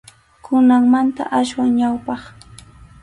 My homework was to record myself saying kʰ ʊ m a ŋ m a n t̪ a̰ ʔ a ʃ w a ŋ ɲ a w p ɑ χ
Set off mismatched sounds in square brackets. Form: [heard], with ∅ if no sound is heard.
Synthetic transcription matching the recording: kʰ ʊ [n] a ŋ m a n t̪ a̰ ʔ a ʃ w a ŋ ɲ a w p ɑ χ